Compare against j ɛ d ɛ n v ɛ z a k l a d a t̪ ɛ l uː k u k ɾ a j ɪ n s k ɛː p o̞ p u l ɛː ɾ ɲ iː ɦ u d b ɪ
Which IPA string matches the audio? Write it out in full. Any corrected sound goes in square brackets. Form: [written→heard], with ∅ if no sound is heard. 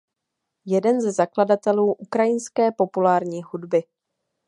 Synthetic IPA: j ɛ d ɛ n [v→z] ɛ z a k l a d a t̪ ɛ l uː [k→ʔ] u k ɾ a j ɪ n s k ɛː p o̞ p u l [ɛː→aː] ɾ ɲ iː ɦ u d b ɪ